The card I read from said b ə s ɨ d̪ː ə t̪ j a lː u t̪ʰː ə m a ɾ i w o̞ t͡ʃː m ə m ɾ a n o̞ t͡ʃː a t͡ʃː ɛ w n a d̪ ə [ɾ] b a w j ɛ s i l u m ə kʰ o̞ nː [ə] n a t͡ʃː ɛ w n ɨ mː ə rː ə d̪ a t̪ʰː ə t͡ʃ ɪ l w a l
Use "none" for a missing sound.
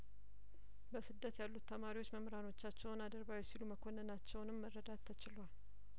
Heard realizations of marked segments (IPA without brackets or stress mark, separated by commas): ɾ, ə